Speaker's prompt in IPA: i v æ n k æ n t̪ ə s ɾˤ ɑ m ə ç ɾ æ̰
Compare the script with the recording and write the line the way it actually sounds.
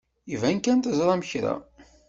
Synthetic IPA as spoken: i v æ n k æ n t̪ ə z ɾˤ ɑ m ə ç ɾ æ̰